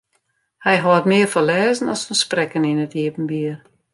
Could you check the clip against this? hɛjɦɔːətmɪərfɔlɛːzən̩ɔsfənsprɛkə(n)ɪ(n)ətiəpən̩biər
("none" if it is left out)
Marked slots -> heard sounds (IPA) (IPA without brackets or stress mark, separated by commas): n, n